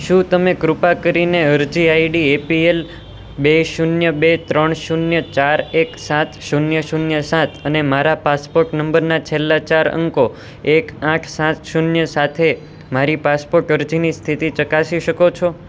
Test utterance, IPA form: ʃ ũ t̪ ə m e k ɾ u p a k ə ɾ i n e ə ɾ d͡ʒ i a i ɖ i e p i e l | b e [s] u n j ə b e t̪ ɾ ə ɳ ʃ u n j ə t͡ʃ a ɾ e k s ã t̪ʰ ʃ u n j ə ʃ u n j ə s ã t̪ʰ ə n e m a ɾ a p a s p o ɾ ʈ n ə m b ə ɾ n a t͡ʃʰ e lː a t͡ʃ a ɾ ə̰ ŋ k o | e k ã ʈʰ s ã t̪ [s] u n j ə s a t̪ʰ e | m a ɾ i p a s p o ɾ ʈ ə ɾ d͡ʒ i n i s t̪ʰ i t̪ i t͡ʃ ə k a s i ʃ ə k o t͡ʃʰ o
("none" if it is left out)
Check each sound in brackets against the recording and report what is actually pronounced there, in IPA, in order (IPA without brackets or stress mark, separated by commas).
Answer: ʃ, ʃ